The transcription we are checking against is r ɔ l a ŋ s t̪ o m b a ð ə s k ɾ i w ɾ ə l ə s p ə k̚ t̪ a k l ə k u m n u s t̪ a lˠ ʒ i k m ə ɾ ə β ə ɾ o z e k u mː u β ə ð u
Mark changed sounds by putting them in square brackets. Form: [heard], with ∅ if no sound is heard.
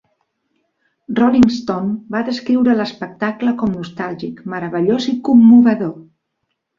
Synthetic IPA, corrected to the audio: r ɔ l [i] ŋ s t̪ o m b a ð ə s k ɾ i w ɾ ə l ə s p ə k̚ t̪ a k l ə k [ɔ] m n u s t̪ a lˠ ʒ i k m ə ɾ ə β ə [ʎ] o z [i] k u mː u β ə ð [o]